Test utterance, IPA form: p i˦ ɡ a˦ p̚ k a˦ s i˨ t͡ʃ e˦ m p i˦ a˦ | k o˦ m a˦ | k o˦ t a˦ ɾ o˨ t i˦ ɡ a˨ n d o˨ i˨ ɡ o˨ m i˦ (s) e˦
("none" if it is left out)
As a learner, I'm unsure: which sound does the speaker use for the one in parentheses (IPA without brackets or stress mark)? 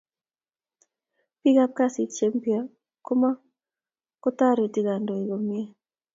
none